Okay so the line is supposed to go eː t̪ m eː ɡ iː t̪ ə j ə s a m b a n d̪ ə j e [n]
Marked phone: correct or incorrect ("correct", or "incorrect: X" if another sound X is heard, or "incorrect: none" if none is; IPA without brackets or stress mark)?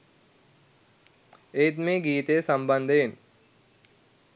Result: correct